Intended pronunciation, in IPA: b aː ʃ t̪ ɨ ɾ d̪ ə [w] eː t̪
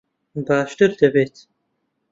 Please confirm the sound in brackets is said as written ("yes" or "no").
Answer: no